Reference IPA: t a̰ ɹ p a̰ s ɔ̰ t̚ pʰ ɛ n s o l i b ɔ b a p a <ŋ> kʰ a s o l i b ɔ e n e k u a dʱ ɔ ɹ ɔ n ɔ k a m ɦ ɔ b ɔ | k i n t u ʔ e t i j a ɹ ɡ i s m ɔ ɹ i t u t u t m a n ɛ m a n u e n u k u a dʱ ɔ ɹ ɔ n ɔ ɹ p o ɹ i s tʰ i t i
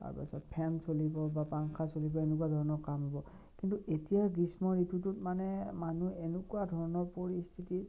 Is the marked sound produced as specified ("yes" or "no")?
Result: yes